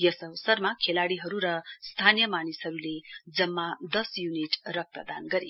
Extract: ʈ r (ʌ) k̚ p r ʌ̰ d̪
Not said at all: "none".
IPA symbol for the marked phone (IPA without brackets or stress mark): ʌ